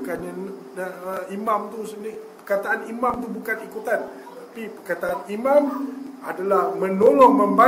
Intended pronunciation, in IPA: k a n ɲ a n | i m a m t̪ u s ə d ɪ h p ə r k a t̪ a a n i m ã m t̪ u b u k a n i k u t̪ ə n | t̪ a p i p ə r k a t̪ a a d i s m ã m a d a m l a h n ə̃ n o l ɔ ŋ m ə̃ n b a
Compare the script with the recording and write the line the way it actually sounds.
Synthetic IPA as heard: k a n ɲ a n | i m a m t̪ u s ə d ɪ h p ə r k a t̪ a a n i m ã m t̪ u b u k a n i k u t̪ a n | t̪ a p i p ə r k a t̪ a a n i m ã m a d a l a h m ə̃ n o l ɔ ŋ m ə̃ m b a